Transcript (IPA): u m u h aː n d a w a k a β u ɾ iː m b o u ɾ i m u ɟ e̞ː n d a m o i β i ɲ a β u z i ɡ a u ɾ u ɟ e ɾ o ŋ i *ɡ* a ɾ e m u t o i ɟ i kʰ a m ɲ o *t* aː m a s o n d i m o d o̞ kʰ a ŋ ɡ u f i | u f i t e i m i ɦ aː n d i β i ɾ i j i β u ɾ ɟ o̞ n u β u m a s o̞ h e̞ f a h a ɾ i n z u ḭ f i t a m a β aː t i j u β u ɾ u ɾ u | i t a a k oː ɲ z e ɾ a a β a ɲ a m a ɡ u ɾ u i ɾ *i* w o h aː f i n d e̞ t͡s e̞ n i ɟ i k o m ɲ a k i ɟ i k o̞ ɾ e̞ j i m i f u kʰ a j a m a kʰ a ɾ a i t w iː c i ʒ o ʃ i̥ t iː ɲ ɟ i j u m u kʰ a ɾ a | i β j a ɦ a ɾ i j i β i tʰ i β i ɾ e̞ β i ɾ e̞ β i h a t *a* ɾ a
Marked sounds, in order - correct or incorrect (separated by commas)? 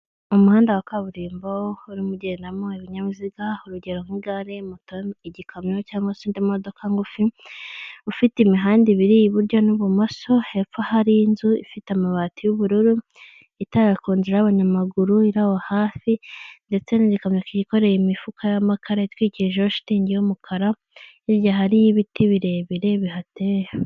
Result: correct, incorrect, incorrect, incorrect